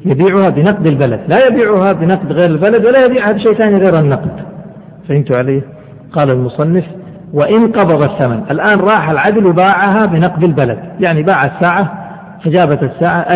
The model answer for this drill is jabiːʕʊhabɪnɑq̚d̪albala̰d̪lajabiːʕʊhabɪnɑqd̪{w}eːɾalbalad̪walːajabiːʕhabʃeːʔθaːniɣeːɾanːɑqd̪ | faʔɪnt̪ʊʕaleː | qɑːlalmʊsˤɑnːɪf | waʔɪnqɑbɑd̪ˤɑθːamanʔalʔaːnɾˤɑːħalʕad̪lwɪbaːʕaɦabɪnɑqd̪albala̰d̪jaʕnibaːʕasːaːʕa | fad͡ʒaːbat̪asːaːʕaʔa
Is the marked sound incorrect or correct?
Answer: incorrect